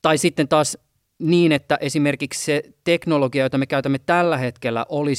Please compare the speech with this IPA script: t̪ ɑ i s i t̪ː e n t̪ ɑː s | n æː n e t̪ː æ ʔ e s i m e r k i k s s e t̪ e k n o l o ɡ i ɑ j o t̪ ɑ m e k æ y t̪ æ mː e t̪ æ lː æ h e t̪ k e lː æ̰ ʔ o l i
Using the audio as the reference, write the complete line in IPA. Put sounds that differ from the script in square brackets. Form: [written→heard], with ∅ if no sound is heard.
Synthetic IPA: t̪ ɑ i s i t̪ː e n t̪ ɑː s | n [æː→iː] n e t̪ː æ ʔ e s i m e r k i k s s e t̪ e k n o l o ɡ i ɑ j o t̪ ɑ m e k æ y t̪ æ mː e t̪ æ lː æ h e t̪ k e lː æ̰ ʔ o l i